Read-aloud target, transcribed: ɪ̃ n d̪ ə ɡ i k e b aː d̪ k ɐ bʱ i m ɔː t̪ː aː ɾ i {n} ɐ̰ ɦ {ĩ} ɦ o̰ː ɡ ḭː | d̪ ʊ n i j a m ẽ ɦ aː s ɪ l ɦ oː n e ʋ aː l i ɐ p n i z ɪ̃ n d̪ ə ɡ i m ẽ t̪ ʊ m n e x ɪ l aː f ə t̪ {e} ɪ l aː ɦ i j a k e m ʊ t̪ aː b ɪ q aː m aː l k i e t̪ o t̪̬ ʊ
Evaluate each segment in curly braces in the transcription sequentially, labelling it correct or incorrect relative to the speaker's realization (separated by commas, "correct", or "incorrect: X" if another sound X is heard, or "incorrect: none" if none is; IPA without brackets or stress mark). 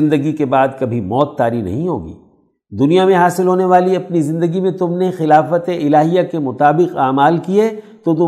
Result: correct, correct, correct